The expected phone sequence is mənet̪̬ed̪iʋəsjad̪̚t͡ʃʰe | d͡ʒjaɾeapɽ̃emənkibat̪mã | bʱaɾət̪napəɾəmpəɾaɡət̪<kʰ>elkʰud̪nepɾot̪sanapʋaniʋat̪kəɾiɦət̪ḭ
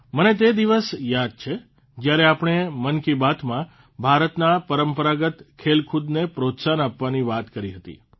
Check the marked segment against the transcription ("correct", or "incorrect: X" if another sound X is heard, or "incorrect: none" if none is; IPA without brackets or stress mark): correct